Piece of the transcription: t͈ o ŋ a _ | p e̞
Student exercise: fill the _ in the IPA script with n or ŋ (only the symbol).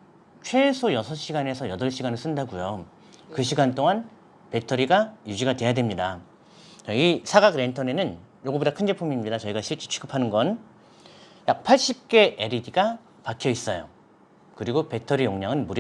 n